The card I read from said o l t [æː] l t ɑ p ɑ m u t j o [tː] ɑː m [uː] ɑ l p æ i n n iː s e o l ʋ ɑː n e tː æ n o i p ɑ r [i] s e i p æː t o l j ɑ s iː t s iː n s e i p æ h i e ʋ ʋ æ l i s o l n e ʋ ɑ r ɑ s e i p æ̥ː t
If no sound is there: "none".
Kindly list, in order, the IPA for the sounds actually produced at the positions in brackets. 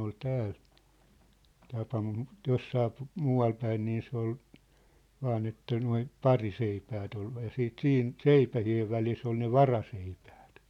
æː, sː, uː, i

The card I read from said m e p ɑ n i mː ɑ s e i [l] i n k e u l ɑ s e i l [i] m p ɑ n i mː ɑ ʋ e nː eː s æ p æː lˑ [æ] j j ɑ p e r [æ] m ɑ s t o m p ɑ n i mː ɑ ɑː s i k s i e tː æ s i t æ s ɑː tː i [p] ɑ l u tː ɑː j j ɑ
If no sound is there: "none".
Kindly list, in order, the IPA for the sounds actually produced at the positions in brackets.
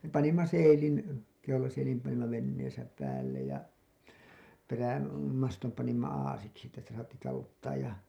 l, i, e, æ, t

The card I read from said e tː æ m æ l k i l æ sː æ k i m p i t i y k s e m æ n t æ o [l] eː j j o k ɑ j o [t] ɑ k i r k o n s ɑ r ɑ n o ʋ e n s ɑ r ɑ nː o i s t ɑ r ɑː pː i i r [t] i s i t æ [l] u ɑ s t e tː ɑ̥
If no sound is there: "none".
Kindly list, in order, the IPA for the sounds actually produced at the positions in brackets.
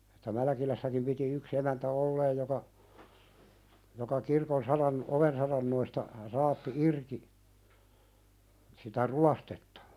lː, k, k, r

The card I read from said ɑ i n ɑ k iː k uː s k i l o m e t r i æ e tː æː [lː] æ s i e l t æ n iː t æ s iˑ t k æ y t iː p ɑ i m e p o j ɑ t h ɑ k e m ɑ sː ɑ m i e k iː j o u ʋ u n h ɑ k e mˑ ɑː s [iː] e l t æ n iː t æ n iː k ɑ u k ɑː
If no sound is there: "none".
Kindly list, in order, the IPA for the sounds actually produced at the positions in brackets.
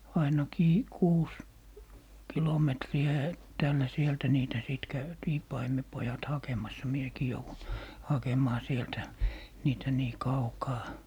lː, i

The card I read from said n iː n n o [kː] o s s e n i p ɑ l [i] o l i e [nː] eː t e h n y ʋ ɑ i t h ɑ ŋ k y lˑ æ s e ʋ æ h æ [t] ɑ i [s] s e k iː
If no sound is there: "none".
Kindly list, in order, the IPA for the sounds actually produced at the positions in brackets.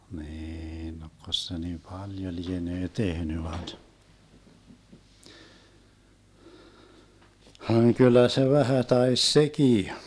kː, j, n, t, s

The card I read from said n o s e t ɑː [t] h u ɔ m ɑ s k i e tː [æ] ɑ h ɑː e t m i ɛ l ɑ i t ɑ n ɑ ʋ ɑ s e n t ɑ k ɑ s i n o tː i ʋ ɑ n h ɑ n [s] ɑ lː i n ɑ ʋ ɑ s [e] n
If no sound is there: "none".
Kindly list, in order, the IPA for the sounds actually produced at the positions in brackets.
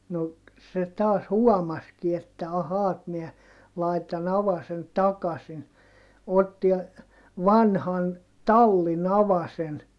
s, æ, t, e

